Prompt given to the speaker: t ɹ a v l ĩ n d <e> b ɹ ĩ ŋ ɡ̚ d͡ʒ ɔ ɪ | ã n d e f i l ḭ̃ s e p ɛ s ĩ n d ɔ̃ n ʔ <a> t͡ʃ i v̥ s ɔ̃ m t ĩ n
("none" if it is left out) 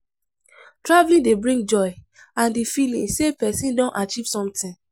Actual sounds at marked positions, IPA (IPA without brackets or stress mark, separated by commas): e, a